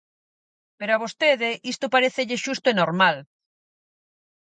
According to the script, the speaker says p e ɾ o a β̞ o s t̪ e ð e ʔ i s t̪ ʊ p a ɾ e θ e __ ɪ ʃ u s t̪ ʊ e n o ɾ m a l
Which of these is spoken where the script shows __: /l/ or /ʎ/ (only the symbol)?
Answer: ʎ